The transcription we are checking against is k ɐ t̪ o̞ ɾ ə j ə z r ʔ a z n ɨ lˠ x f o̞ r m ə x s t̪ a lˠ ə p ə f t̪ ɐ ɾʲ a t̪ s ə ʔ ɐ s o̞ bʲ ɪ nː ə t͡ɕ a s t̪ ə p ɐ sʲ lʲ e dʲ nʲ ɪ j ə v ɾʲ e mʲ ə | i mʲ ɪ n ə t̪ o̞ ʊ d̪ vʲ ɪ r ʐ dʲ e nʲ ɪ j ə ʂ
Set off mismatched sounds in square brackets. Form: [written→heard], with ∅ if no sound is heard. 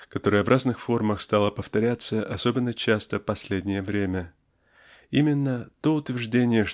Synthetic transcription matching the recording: k ɐ t̪ o̞ ɾ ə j ə [z→v] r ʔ a z n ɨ [lˠ→∅] x f o̞ r m ə x s t̪ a lˠ ə p ə f t̪ ɐ ɾʲ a t̪ s ə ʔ ɐ s o̞ bʲ ɪ nː ə t͡ɕ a s t̪ ə p ɐ sʲ lʲ e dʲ nʲ ɪ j ə v ɾʲ e mʲ ə | i mʲ ɪ [n→nː] ə t̪ o̞ ʊ [d̪→t̪] vʲ ɪ r ʐ dʲ e nʲ ɪ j ə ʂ